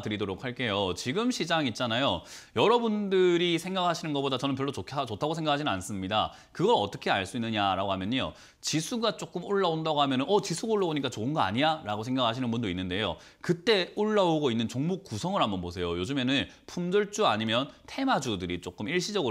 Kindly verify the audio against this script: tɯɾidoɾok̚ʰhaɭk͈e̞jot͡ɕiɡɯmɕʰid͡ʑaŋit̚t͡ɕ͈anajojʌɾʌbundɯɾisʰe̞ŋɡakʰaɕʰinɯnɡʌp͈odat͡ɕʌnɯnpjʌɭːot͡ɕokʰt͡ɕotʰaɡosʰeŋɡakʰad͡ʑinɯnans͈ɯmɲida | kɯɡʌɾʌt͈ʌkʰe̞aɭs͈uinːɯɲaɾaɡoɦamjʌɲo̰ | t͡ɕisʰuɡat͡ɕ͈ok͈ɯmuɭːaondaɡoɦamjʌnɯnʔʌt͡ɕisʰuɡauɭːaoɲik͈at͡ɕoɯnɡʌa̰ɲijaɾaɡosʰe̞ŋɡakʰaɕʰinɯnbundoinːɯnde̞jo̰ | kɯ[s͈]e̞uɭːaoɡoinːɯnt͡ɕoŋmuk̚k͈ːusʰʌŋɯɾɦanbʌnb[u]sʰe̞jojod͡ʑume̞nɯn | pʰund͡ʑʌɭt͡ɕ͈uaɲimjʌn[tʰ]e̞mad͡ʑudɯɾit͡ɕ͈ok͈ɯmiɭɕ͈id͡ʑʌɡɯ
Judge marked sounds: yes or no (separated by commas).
no, no, yes